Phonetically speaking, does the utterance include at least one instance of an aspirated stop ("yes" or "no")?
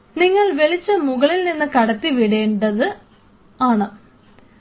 no